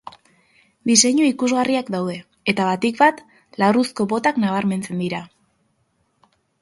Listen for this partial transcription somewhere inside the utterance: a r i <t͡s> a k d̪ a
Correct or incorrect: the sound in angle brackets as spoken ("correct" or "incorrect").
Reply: incorrect